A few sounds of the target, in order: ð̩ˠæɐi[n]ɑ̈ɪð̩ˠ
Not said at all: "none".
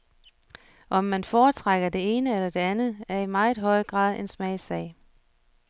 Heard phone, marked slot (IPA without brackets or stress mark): m